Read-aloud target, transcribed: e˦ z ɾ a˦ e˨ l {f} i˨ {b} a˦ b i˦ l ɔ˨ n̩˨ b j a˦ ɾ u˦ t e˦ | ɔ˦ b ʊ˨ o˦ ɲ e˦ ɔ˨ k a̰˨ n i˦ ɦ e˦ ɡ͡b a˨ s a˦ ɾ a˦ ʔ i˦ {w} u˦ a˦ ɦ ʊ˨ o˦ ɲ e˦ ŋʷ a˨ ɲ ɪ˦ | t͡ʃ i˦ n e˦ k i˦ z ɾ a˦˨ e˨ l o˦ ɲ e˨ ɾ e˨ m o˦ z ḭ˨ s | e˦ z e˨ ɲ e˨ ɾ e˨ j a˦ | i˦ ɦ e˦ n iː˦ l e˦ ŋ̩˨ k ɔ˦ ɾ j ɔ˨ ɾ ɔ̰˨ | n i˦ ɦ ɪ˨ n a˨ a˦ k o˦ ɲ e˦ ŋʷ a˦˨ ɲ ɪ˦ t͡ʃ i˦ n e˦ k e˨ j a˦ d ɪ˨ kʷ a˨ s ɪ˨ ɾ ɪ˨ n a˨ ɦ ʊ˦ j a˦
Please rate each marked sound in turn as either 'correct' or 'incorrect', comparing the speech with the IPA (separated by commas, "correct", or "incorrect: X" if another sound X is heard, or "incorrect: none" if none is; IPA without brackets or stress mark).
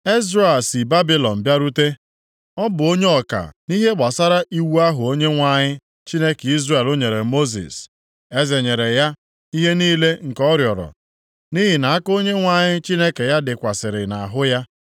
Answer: incorrect: s, correct, correct